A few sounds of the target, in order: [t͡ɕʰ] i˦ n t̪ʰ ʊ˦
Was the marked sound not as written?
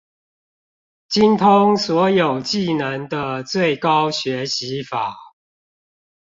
yes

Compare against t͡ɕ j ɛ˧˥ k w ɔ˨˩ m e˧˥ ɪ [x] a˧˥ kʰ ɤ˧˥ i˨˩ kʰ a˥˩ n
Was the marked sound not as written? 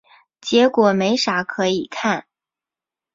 yes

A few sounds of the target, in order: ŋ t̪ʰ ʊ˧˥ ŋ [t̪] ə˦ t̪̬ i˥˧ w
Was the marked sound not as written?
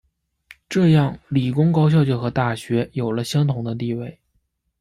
yes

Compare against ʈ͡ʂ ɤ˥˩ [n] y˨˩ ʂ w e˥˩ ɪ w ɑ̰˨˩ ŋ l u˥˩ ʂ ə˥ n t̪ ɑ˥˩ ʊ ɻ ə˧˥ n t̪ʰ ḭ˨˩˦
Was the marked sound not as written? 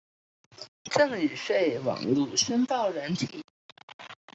yes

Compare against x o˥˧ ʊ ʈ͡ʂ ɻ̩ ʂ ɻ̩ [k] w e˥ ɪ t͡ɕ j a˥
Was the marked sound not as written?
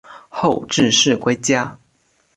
no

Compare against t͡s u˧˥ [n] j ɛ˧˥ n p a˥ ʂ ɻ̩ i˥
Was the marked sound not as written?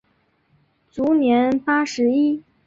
no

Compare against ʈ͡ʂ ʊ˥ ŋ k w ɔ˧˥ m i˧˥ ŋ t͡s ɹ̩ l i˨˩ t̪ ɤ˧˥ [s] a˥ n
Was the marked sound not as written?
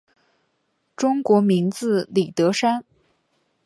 yes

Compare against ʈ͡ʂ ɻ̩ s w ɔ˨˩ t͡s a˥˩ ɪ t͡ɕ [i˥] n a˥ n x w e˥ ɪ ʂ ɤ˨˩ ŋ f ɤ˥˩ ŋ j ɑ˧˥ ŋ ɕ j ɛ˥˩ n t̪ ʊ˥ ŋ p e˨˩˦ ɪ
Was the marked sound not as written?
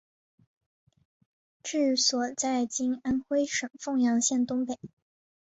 no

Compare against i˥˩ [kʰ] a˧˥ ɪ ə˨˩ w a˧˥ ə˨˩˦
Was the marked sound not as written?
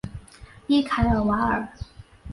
no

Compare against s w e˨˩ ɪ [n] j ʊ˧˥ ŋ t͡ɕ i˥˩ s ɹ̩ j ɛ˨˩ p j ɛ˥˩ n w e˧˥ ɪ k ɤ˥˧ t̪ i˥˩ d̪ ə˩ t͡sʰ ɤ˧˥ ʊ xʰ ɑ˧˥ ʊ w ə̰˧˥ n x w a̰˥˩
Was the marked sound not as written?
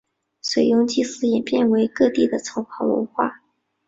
yes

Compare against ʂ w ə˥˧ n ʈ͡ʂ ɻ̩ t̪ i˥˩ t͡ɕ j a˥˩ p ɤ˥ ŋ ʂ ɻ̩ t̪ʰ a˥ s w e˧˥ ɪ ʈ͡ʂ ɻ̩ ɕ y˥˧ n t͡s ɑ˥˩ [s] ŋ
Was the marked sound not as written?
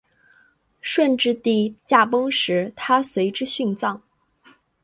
yes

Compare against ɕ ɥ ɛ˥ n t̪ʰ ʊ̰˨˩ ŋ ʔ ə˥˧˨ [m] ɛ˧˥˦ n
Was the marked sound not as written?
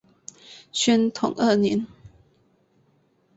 yes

